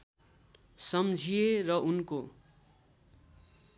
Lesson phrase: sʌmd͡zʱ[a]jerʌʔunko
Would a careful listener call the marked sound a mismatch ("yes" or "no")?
yes